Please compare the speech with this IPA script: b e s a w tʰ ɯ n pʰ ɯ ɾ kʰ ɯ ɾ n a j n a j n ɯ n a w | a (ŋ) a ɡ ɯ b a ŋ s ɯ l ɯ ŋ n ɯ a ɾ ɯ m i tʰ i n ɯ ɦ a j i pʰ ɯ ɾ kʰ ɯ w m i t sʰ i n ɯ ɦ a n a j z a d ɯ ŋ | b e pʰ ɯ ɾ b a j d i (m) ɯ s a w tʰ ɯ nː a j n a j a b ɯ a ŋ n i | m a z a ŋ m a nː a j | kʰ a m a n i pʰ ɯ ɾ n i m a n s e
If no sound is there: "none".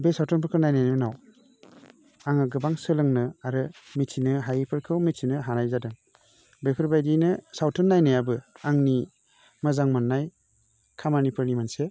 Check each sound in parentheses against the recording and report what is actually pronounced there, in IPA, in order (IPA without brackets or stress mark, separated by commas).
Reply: ŋ, n